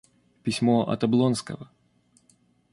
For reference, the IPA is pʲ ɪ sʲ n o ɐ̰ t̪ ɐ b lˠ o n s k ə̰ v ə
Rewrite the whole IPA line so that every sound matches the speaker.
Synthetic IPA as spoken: pʲ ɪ sʲ m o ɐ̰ t̪ ɐ b lˠ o n s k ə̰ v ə